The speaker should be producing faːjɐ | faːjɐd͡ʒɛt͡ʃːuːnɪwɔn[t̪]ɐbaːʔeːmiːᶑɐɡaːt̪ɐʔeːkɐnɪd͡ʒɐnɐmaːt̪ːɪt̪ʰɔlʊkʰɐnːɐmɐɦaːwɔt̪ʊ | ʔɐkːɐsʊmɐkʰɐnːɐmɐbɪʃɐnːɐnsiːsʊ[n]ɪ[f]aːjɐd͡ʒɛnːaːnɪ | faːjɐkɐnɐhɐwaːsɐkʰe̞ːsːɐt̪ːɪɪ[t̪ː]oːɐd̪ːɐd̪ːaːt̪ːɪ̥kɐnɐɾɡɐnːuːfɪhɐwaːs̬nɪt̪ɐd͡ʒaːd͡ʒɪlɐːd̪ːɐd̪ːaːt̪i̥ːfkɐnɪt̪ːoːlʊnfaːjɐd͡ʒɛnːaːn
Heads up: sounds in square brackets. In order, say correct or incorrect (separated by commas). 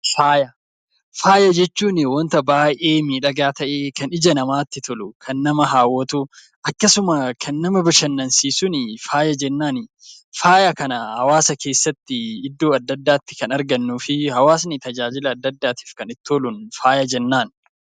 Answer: correct, correct, correct, incorrect